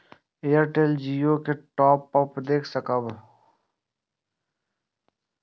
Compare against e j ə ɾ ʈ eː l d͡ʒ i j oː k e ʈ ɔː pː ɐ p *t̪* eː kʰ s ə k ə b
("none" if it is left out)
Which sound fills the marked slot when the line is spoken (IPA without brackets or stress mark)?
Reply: d̪